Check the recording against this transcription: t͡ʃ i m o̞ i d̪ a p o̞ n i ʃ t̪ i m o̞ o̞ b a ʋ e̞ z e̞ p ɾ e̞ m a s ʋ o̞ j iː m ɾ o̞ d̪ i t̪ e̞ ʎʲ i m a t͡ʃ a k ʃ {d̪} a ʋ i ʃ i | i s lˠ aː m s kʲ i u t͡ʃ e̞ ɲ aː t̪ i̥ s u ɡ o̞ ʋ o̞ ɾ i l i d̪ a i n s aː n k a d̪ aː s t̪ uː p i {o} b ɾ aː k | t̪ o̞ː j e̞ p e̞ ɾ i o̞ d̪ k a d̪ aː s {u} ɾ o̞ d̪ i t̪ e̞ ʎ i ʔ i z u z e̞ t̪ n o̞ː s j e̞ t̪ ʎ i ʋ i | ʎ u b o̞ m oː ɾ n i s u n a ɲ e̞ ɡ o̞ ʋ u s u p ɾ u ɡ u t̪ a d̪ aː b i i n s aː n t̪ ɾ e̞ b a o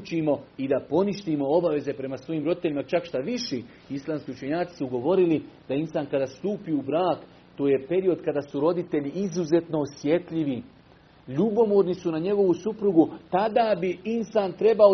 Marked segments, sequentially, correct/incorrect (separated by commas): incorrect, incorrect, correct